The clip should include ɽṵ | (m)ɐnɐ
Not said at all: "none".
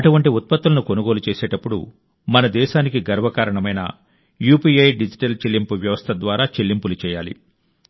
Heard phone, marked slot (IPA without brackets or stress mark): m